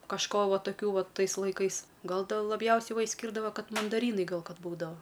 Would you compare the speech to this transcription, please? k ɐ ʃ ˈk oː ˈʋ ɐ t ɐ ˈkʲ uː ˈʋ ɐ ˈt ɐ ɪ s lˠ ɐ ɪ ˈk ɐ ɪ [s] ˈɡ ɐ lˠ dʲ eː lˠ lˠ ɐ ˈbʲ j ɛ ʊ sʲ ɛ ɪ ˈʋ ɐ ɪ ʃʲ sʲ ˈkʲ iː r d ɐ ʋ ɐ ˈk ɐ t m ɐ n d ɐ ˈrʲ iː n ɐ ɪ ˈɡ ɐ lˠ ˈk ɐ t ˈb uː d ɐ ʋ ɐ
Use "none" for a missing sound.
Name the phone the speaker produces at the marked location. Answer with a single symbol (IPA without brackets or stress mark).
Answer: s